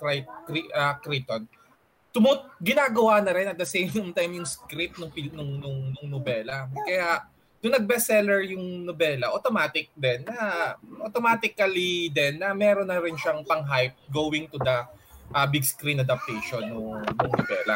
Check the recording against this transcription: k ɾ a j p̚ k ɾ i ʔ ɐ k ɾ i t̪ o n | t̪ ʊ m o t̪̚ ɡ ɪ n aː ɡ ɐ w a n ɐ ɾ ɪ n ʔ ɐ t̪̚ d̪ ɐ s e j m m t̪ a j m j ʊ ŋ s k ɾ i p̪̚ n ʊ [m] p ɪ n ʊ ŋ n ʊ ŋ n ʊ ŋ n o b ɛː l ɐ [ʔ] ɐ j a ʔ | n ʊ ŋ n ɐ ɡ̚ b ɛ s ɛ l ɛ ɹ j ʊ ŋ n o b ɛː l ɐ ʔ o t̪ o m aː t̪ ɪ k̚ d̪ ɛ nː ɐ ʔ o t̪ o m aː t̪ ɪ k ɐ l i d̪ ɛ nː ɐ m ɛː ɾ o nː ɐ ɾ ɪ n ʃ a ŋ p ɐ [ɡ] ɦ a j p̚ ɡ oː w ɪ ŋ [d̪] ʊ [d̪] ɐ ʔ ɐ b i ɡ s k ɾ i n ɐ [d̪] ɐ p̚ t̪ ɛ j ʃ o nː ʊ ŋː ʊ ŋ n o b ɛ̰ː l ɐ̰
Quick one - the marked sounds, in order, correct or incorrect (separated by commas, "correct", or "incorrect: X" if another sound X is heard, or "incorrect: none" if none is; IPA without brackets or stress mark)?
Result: incorrect: ŋ, incorrect: k, incorrect: ŋ, incorrect: t̪, correct, correct